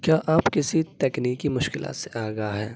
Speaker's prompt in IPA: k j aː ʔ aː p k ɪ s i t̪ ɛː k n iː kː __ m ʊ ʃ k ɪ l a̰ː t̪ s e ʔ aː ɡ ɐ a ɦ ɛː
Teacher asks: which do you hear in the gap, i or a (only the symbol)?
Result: i